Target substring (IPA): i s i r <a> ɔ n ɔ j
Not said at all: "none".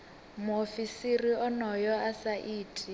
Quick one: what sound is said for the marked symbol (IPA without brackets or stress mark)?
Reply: i